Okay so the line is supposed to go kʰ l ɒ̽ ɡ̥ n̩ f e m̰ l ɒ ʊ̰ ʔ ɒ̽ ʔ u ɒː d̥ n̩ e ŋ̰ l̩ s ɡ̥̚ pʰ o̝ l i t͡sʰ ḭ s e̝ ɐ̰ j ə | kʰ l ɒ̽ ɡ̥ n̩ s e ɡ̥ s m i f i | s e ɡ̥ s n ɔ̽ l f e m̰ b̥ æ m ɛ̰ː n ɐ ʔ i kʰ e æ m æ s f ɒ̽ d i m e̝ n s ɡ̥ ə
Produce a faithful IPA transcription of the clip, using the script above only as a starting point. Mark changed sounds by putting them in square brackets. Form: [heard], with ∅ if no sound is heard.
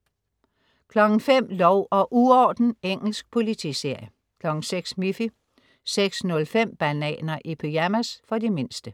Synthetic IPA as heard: kʰ l ɒ̽ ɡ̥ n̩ f e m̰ l ɒ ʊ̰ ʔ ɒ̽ ʔ u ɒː d̥ n̩ e ŋ̰ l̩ s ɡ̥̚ pʰ o̝ l i t͡sʰ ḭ s e̝ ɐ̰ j ə | kʰ l ɒ̽ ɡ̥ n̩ s e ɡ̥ s m i f i | s e ɡ̥ s n ɔ̽ l f e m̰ b̥ æ [n] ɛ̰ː n ɐ ʔ i [pʰ] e æ m æ s f ɒ̽ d i m e̝ n s [d̥] ə